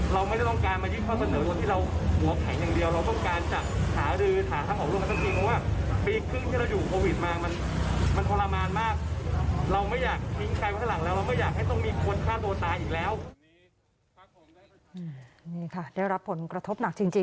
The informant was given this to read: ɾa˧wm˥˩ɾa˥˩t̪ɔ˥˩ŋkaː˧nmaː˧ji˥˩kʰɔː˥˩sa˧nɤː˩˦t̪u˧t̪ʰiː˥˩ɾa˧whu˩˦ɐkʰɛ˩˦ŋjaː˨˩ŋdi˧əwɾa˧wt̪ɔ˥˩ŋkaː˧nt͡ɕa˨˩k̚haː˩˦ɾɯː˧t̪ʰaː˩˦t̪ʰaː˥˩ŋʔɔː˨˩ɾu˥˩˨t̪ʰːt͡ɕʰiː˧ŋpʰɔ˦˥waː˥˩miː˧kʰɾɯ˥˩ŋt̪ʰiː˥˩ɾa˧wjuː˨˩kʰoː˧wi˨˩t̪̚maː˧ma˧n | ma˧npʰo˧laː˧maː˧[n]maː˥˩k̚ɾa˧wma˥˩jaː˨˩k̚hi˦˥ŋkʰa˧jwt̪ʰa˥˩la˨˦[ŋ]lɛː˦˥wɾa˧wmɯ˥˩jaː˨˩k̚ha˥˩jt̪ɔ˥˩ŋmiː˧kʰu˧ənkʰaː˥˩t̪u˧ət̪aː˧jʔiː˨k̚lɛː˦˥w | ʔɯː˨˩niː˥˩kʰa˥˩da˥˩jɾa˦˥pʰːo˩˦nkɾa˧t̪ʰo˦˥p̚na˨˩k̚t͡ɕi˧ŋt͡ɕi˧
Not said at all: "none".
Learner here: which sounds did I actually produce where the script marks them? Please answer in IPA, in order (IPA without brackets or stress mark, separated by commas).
n, ŋ